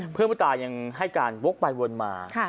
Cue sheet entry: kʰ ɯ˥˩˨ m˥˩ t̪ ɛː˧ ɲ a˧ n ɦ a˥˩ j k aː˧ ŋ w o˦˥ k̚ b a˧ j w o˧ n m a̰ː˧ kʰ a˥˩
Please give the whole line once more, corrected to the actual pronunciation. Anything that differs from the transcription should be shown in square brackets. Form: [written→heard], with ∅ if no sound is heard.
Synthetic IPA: [kʰ→pʰ] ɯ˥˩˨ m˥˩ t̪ [ɛː˧→aː˧] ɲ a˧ [n→ŋ] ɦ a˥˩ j k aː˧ [ŋ→n] w o˦˥ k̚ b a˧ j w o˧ n m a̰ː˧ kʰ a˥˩